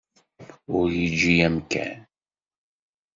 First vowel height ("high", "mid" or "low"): high